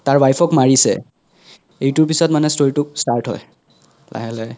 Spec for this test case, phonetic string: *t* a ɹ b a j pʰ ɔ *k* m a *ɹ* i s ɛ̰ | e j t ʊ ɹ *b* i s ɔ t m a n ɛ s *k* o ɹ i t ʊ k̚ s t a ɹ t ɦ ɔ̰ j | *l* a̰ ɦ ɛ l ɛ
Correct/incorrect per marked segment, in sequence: correct, correct, correct, incorrect: p, incorrect: t, correct

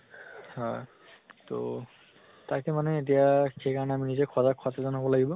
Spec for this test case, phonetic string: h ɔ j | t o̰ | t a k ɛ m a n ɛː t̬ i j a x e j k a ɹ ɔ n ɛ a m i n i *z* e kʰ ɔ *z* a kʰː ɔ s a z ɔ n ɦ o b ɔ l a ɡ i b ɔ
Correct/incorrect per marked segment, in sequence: correct, correct

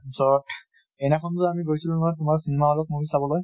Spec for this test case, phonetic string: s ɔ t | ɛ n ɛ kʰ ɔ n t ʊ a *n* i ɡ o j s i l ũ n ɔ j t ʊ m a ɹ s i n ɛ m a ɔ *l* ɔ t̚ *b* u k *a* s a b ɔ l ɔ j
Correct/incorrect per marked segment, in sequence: incorrect: m, correct, incorrect: m, incorrect: i

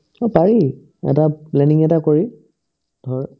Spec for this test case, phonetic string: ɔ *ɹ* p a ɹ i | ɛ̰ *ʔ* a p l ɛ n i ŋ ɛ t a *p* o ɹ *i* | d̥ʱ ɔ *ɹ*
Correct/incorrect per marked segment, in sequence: incorrect: none, incorrect: t, incorrect: k, correct, correct

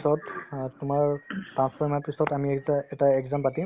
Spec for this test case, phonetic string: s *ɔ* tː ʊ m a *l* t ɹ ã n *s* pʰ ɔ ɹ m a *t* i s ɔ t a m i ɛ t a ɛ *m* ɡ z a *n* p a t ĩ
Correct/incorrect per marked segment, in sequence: correct, incorrect: ɹ, correct, incorrect: p, incorrect: none, incorrect: m

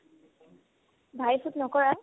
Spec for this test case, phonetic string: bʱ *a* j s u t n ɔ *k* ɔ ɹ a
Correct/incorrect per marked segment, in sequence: correct, correct

